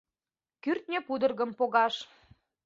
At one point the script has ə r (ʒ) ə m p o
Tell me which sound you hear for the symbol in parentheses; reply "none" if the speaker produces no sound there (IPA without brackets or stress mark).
ɣ